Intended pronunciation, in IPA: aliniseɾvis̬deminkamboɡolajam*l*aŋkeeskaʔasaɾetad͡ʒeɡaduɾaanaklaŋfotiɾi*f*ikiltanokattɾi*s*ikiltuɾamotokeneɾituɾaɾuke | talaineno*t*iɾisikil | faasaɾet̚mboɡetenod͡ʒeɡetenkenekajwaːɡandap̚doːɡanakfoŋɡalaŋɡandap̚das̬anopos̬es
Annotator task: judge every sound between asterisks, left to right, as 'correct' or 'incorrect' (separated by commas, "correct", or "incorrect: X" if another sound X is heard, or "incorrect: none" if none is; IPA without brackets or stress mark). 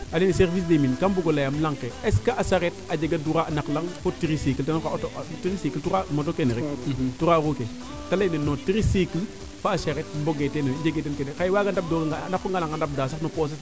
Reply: correct, incorrect: s, correct, correct